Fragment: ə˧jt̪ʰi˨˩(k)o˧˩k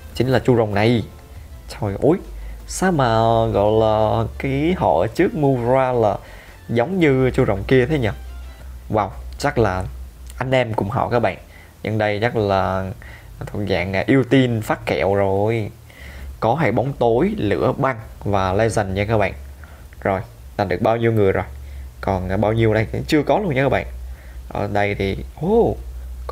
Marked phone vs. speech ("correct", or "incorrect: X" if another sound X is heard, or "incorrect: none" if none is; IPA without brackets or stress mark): incorrect: ʔ